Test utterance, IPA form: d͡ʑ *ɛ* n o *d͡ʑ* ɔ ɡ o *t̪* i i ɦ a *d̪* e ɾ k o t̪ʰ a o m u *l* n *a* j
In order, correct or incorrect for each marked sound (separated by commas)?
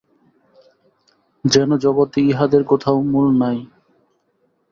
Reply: correct, correct, correct, correct, correct, correct